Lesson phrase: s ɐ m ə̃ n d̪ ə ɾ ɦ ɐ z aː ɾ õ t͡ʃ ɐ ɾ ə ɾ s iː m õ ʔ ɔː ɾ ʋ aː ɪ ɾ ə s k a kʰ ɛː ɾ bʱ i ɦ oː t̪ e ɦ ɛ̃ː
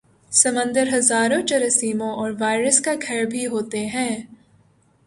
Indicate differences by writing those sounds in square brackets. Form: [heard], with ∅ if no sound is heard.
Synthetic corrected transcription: s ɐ m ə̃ n d̪ ə ɾ ɦ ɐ z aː ɾ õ t͡ʃ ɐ ɾ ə [∅] s iː m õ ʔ ɔː ɾ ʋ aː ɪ ɾ ə s k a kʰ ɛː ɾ bʱ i ɦ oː t̪ e ɦ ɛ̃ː